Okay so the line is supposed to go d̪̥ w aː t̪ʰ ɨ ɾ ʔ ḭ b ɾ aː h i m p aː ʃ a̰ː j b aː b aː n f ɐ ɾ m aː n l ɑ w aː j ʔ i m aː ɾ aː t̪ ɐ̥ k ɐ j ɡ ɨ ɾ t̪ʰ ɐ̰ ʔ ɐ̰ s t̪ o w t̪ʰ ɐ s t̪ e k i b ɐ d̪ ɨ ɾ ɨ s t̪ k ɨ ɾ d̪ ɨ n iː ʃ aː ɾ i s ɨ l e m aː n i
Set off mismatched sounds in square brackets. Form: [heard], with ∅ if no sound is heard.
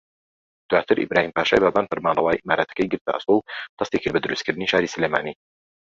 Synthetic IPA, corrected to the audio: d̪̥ w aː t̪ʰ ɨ ɾ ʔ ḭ b ɾ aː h i m p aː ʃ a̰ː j b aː b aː n f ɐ ɾ m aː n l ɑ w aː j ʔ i m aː ɾ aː t̪ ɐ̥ k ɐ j ɡ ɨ ɾ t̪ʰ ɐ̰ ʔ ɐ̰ s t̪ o w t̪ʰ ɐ s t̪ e k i b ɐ d̪ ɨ ɾ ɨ s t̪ k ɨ ɾ d̪ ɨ n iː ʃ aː ɾ i s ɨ l e m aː n i